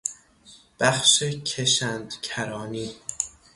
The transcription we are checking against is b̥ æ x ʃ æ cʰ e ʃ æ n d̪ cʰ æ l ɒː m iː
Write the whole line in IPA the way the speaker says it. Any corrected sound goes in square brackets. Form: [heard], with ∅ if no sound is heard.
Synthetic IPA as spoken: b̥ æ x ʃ [e] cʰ e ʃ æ n d̪ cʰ æ [ɾ] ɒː [n] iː